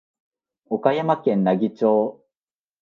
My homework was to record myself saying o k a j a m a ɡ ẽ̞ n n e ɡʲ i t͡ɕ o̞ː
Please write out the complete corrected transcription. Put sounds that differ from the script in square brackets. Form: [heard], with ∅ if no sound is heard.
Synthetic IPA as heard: o k a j a m a [k] ẽ̞ n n [a] ɡʲ i t͡ɕ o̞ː